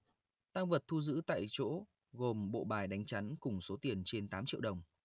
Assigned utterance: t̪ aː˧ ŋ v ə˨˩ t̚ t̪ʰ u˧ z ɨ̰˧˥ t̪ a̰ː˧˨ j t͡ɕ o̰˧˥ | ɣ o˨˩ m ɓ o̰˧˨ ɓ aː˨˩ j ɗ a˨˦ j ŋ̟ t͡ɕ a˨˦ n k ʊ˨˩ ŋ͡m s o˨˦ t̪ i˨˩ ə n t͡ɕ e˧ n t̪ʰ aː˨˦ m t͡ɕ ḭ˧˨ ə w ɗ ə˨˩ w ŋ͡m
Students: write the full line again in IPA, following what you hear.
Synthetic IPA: t̪ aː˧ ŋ v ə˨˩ t̚ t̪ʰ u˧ z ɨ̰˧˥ t̪ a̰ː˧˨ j t͡ɕ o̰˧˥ | ɣ o˨˩ m ɓ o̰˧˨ ɓ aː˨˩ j ɗ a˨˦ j ŋ̟ t͡ɕ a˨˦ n k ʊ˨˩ ŋ͡m s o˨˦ t̪ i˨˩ ə n t͡ɕ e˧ n t̪ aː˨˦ m t͡ɕ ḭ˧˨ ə w ɗ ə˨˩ w ŋ͡m